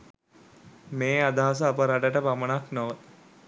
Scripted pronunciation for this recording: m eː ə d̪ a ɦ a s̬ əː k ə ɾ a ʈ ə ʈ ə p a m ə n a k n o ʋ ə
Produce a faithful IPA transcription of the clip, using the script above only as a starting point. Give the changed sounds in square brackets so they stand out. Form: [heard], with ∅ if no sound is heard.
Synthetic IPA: m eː [a] d̪ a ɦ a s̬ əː [p] ə ɾ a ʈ ə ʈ ə p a m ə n a k n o ʋ ə